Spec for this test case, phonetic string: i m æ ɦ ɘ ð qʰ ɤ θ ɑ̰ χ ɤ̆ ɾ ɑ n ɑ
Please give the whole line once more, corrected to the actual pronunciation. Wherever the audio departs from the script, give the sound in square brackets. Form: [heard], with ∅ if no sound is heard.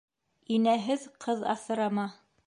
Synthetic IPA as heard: i [n] æ ɦ ɘ ð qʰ ɤ [ð] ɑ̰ [θ] ɤ̆ ɾ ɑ [m] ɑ

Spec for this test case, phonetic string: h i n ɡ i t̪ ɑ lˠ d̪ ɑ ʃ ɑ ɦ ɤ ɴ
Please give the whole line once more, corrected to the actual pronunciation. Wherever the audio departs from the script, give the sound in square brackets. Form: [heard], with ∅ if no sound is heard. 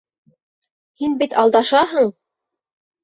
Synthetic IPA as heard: h i n [b] i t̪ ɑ lˠ d̪ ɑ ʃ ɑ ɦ ɤ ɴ

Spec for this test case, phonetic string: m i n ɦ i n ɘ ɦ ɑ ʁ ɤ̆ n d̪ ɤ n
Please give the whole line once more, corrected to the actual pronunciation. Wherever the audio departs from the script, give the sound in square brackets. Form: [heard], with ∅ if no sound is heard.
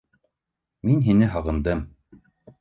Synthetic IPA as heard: m i n ɦ i n ɘ ɦ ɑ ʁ ɤ̆ n d̪ ɤ [m]

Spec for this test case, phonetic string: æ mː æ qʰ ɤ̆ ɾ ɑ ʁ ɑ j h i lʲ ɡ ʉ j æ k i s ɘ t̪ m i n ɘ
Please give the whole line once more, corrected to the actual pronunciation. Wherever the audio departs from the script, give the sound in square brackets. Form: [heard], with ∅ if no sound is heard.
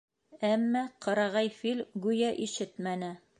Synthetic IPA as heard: æ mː æ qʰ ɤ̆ ɾ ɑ ʁ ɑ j [f] i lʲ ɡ ʉ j æ [ʔ] i [ʃ] ɘ t̪ m [æ] n ɘ

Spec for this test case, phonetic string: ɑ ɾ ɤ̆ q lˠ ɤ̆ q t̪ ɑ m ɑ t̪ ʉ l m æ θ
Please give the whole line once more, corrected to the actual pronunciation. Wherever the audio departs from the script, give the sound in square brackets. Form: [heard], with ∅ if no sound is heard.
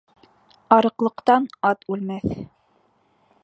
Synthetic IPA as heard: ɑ ɾ ɤ̆ q lˠ ɤ̆ q t̪ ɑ [n] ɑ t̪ ʉ l m æ θ

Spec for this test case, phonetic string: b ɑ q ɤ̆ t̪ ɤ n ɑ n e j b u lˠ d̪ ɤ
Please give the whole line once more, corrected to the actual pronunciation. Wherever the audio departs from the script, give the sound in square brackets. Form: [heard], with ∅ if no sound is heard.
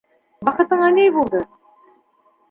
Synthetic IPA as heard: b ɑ q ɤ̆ t̪ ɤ [ɴ] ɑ n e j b u lˠ d̪ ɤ

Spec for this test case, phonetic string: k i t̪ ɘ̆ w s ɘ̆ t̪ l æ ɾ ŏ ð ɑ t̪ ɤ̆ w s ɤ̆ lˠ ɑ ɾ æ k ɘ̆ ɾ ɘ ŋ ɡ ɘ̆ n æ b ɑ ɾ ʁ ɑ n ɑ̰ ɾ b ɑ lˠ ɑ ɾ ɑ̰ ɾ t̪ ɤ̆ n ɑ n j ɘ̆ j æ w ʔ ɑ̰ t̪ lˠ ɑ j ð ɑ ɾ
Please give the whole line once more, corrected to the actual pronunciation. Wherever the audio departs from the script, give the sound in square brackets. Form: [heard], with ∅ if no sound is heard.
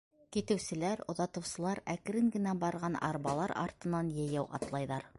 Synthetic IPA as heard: k i t̪ ɘ̆ w s ɘ̆ [∅] l æ ɾ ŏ ð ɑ t̪ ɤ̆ w s ɤ̆ lˠ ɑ ɾ æ k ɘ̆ ɾ ɘ ŋ ɡ ɘ̆ n æ b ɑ ɾ ʁ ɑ n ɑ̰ ɾ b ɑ lˠ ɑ ɾ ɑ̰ ɾ t̪ ɤ̆ n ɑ n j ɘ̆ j æ w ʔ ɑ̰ t̪ lˠ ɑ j ð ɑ ɾ

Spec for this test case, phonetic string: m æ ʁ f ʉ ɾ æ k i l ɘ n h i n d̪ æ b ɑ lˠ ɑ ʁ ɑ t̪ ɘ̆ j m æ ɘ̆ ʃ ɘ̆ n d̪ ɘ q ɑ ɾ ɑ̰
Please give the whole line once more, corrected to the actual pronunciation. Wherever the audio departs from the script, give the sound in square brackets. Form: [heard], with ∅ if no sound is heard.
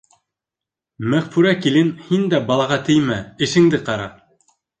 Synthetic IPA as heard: m æ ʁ f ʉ ɾ æ k i l ɘ n h i n d̪ æ b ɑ lˠ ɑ ʁ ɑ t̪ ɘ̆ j m æ ɘ̆ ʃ ɘ̆ [ŋ] d̪ ɘ q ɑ ɾ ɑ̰

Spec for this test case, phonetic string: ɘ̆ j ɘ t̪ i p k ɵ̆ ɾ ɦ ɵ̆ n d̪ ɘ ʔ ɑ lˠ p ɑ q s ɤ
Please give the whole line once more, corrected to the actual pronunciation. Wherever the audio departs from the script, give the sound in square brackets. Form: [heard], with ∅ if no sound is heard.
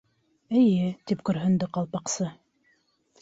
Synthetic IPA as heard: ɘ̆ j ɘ t̪ i p k ɵ̆ ɾ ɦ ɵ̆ n d̪ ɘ [q] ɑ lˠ p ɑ q s ɤ

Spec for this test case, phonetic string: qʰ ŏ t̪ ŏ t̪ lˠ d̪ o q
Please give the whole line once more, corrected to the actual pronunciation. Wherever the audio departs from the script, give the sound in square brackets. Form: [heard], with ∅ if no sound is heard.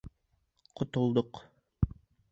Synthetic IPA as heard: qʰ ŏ t̪ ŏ [∅] lˠ d̪ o q

